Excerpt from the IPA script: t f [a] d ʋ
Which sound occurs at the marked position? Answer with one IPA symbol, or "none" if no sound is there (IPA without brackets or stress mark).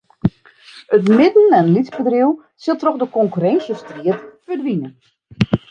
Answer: ə